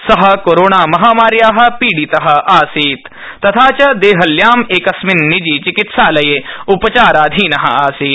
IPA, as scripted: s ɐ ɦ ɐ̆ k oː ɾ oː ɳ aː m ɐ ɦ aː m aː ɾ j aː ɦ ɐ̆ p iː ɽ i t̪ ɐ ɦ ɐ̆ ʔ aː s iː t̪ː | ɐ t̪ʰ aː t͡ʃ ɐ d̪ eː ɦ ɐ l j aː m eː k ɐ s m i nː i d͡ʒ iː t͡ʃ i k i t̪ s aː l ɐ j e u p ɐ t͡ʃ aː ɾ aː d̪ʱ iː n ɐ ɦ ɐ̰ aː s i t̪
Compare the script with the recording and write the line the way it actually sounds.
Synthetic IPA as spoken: s ɐ ɦ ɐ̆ k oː ɾ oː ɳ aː m ɐ ɦ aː m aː ɾ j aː ɦ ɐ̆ p iː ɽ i t̪ ɐ ɦ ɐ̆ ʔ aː s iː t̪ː | ɐ t̪ʰ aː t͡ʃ ɐ d̪ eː ɦ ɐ l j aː m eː k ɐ s m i nː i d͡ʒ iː t͡ʃ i k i t̪ s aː l ɐ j e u p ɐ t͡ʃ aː ɾ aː d̪ʱ iː n ɐ ɦ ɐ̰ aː s iː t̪

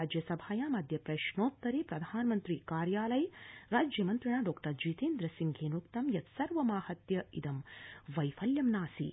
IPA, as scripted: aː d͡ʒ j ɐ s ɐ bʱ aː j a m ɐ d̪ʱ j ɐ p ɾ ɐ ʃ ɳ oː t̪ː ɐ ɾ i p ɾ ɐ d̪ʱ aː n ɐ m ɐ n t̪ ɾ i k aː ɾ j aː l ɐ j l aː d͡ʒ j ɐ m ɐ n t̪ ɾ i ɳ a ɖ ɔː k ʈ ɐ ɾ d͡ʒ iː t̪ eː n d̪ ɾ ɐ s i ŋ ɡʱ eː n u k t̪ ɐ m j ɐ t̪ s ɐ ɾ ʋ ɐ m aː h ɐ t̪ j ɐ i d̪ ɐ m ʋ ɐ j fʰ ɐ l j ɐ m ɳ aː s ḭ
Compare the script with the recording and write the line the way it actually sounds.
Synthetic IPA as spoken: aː d͡ʒ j ɐ s ɐ bʱ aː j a m ɐ d̪ʱ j ɐ p ɾ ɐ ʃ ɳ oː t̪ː ɐ ɾ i p ɾ ɐ d̪ʱ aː n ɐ m ɐ n t̪ ɾ i k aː ɾ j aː l ɐ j ɾ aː d͡ʒ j ɐ m ɐ n t̪ ɾ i ɳ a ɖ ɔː k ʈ ɐ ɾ d͡ʒ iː t̪ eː n d̪ ɾ ɐ s i ŋ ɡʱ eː n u k t̪ ɐ m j ɐ t̪ s ɐ ɾ ʋ ɐ m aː h ɐ t̪ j ɐ i d̪ ɐ m ʋ ɐ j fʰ ɐ l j ɐ m n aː s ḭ

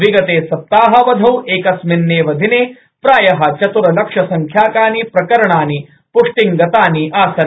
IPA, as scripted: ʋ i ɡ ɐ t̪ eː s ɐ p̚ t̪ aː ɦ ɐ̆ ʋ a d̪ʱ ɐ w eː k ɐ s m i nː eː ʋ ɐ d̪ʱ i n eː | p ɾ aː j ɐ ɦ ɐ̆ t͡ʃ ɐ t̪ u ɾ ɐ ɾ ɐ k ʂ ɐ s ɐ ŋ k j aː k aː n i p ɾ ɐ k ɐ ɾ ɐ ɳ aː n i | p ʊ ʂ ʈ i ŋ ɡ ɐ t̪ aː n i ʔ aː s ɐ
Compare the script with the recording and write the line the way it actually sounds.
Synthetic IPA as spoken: ʋ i ɡ ɐ t̪ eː s ɐ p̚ t̪ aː ɦ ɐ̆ ʋ ɐ d̪ʱ ɐ w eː k ɐ s m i nː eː ʋ ɐ d̪ʱ i n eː | p ɾ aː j ɐ ɦ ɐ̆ t͡ʃ ɐ t̪ u ɾ ɐ l ɐ k ʂ ɐ s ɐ ŋ kʰ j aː k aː n i p ɾ ɐ k ɐ ɾ ɐ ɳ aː n i | p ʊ ʂ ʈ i ŋ ɡ ɐ t̪ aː n i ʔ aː s ɐ

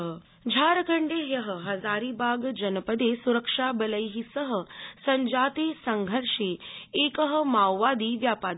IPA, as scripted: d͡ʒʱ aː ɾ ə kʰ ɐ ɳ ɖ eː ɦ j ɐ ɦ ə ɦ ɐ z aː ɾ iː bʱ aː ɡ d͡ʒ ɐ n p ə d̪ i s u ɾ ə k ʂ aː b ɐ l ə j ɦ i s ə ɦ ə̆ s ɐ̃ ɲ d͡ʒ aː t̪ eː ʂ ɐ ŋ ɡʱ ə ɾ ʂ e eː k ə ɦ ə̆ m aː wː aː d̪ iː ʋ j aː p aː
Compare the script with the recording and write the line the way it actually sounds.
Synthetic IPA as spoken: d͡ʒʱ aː ɾ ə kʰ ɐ ɳ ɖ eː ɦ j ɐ ɦ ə ɦ ɐ z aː ɾ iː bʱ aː ɡ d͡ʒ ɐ n p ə d̪ e s u ɾ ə k ʂ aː b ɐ l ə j ɦ i s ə ɦ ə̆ s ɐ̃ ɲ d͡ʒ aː t̪ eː s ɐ ŋ ɡʱ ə ɾ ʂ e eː k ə ɦ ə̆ m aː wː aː d̪ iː ʋ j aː p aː

